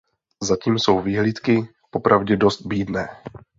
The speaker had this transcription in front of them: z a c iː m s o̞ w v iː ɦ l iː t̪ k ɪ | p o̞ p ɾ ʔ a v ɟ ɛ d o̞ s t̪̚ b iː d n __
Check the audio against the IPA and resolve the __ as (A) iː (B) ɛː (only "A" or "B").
B